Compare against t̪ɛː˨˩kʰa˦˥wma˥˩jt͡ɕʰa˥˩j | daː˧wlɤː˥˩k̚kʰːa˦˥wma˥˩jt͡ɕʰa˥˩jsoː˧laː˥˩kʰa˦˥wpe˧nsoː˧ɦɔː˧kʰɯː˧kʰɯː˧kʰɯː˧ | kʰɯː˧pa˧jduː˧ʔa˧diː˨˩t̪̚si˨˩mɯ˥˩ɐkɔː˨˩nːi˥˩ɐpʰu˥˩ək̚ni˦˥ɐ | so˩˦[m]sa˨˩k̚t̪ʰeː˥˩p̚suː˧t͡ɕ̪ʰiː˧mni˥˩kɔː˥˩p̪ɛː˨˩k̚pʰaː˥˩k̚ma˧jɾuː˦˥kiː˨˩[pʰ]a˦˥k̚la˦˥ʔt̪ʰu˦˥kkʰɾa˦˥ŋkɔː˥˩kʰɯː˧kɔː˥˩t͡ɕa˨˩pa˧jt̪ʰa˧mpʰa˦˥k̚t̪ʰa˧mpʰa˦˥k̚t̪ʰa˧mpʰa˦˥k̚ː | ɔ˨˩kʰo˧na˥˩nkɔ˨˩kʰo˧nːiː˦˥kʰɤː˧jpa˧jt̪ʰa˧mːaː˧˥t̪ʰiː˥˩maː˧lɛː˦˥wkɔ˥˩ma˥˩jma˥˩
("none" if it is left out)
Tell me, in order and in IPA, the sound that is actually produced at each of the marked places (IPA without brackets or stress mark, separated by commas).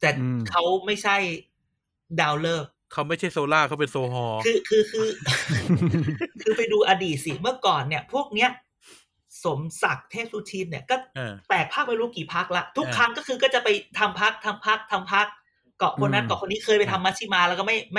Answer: m, pʰ